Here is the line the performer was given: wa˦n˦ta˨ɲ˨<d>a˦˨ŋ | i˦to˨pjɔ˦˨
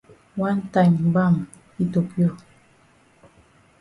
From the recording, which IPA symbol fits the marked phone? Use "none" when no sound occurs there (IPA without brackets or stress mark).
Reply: b